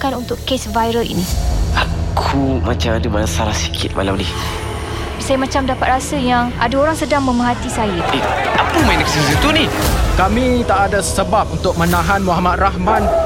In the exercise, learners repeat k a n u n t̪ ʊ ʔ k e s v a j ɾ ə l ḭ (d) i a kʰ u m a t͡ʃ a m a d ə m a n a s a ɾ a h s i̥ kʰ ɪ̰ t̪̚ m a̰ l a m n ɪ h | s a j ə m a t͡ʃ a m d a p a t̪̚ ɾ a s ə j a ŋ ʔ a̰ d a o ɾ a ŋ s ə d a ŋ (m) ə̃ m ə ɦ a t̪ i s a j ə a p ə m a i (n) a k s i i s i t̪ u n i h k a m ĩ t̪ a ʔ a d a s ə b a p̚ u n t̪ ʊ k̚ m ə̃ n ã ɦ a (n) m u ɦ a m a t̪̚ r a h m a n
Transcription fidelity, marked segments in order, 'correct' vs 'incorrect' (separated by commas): incorrect, correct, correct, correct